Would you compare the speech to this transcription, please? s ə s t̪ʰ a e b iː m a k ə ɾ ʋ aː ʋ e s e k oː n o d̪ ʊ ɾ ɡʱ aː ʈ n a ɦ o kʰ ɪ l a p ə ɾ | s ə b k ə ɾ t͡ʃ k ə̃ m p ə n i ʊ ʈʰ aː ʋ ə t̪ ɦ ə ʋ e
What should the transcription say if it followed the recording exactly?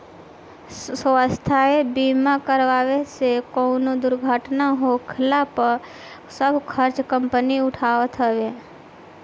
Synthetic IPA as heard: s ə s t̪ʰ a e b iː m a k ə ɾ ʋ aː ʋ e s e k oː n o d̪ ʊ ɾ ɡʱ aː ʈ n a ɦ o kʰ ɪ l a p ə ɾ | s ə b kʰ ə ɾ t͡ʃ k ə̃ m p ə n i ʊ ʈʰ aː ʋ ə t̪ ɦ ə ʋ e